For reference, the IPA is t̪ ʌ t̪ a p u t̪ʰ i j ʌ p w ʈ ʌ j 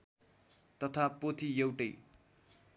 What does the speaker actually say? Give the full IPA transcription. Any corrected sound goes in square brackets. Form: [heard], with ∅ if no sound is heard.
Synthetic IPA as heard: t̪ ʌ [t̪ʰ] a p [o] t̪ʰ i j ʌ [∅] w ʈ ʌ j